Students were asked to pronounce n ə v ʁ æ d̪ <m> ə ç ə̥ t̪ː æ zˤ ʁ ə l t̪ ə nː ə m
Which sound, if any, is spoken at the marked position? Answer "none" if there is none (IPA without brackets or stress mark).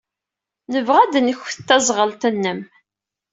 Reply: n